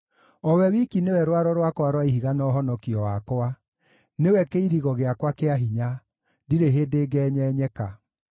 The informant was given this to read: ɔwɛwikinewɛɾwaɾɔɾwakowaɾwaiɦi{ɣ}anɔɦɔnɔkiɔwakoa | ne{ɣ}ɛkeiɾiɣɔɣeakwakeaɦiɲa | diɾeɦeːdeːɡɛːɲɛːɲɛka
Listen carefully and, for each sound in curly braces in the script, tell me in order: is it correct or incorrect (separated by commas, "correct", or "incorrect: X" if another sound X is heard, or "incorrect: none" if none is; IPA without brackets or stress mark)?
correct, incorrect: w